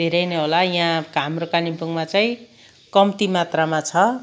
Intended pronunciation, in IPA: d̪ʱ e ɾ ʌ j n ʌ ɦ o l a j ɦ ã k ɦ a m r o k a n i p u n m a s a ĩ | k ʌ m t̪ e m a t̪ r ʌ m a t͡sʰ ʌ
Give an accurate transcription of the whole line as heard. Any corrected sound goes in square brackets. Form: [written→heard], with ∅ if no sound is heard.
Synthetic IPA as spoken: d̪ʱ e ɾ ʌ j n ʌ ɦ o l a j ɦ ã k ɦ a m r o k a n i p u [n→ŋ] m a [s→t͡s] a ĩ | k ʌ m t̪ [e→i] m a t̪ r [ʌ→a] m a t͡sʰ ʌ